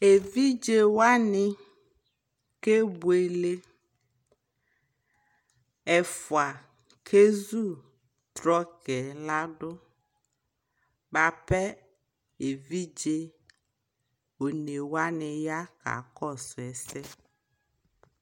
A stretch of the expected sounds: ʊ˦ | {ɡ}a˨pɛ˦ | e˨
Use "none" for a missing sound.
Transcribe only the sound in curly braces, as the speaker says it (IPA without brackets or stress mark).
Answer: b